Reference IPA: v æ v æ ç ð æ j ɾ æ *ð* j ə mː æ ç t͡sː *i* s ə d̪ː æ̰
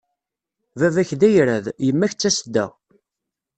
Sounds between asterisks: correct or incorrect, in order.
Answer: correct, incorrect: æ

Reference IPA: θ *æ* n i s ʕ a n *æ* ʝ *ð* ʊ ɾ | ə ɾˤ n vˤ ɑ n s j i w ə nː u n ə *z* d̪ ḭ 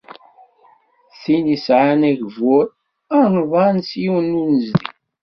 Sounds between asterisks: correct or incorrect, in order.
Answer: incorrect: i, correct, incorrect: v, correct

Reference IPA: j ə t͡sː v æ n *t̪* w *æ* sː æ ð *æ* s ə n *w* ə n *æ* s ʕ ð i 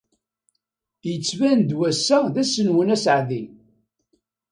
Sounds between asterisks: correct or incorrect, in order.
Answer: incorrect: d̪, correct, correct, correct, correct

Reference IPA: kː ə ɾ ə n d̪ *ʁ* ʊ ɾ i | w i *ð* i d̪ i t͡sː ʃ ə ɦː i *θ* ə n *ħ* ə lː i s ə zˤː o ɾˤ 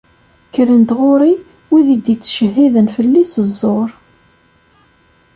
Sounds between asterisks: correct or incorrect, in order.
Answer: correct, correct, incorrect: ð, incorrect: f

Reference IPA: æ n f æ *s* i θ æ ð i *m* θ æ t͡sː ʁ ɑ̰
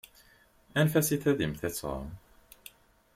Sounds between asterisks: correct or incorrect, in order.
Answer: correct, correct

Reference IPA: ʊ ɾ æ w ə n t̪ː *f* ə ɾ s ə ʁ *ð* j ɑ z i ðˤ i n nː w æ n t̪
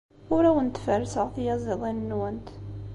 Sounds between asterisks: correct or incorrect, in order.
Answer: correct, incorrect: θ

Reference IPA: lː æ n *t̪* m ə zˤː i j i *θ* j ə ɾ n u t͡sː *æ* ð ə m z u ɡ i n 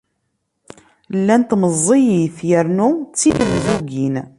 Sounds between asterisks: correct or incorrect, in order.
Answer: correct, correct, incorrect: i

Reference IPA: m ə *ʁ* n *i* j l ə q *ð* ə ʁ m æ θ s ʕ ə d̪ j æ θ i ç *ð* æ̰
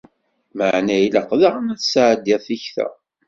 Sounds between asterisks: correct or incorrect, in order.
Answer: incorrect: ʕ, incorrect: æ, correct, incorrect: θ

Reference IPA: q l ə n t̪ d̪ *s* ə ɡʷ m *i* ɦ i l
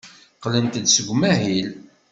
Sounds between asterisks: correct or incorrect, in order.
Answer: correct, incorrect: æ

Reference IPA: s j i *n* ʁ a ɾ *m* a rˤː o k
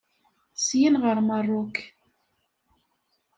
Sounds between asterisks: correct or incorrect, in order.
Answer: correct, correct

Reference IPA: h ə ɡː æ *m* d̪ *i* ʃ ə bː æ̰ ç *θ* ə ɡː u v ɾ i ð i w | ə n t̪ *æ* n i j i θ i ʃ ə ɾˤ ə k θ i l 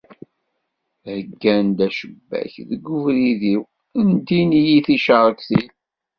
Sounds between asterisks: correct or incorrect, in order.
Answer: incorrect: n, incorrect: æ, incorrect: ð, incorrect: i

